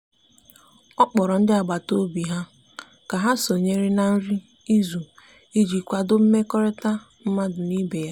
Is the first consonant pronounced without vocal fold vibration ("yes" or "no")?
yes